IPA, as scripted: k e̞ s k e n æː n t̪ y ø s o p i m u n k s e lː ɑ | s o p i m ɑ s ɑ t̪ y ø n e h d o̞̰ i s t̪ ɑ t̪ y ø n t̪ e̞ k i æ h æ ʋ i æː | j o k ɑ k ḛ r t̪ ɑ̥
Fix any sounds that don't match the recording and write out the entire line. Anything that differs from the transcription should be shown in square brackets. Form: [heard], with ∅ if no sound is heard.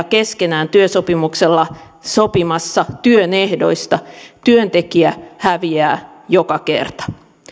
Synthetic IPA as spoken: k e̞ s k e n æː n t̪ y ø s o p i m u [∅] k s e lː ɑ | s o p i m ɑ [sː] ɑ t̪ y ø n e h d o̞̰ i s t̪ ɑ t̪ y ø n t̪ e̞ k i æ h æ ʋ i æː | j o k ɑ k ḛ r t̪ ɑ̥